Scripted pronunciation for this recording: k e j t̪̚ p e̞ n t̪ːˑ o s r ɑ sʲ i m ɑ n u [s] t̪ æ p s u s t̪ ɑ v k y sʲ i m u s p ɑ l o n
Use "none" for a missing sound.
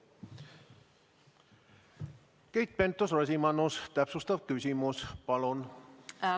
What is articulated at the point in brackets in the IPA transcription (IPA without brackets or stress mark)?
s